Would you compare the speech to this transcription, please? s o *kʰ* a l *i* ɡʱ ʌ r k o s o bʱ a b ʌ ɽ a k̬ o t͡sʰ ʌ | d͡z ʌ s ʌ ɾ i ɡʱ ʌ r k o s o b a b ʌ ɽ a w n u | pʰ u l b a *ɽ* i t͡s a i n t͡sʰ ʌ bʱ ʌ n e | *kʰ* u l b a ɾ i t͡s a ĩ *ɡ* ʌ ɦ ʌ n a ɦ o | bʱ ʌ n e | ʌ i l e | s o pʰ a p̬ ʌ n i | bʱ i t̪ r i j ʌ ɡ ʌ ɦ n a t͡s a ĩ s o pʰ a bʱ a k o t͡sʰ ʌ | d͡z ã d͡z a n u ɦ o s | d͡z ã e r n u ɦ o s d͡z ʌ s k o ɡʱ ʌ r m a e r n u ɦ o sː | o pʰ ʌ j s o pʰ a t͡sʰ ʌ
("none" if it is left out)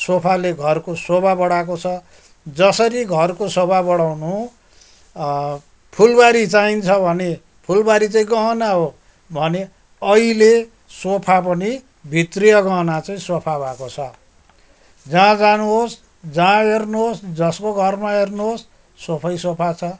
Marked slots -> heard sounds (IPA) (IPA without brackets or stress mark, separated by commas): pʰ, e, ɾ, pʰ, ɡ